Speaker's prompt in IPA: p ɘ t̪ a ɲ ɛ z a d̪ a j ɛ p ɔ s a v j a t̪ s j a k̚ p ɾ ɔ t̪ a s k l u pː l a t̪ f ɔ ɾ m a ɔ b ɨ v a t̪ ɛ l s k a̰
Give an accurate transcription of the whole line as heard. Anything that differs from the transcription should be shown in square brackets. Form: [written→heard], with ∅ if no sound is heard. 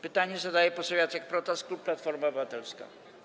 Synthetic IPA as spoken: p ɘ t̪ a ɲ ɛ z a d̪ a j ɛ p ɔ s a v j a t̪ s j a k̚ p ɾ ɔ t̪ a s k l u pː l a t̪ f ɔ ɾ m a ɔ b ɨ v a t̪ ɛ l s k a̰